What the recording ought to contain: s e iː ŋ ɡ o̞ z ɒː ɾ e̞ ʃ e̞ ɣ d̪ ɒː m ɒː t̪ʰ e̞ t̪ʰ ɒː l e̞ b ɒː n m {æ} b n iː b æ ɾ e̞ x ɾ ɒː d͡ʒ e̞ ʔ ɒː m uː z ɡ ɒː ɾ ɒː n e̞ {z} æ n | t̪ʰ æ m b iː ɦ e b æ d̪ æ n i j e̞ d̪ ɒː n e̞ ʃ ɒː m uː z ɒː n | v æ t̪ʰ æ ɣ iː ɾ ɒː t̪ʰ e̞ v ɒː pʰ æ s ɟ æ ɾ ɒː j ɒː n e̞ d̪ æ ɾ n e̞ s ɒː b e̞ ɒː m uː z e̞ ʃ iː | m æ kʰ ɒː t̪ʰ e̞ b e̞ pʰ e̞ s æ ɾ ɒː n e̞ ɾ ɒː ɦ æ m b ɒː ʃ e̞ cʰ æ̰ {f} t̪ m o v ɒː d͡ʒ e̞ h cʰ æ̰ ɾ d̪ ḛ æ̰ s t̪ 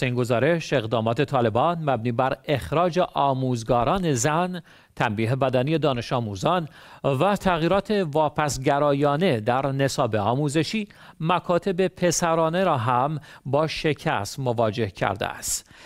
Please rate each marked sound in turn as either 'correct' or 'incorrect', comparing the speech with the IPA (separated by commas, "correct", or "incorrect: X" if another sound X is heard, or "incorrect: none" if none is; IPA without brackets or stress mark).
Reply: correct, correct, incorrect: s